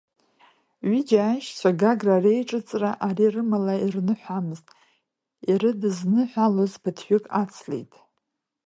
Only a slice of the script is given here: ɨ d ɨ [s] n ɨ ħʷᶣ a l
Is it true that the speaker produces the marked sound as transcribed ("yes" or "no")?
no